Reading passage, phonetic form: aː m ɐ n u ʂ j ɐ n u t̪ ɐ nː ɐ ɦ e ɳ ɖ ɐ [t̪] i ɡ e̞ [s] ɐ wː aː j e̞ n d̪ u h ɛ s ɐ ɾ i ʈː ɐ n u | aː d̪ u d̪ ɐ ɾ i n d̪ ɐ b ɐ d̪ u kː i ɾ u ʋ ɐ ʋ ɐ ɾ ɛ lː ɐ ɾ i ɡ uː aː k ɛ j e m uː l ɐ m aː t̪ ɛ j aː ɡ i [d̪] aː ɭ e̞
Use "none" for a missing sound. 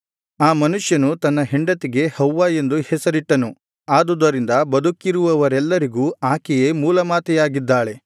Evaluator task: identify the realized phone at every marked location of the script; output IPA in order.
t̪, h, d̪ː

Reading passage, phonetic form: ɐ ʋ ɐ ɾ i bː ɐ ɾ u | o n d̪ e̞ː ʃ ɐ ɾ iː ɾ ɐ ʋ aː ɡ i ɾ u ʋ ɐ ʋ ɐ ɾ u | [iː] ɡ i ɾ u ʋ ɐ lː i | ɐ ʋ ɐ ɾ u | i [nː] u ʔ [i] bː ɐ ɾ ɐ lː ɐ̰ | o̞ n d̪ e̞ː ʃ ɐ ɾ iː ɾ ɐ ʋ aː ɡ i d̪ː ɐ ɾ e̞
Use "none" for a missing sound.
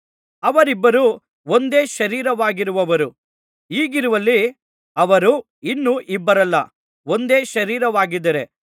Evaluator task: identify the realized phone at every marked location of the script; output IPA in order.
iː, nː, i

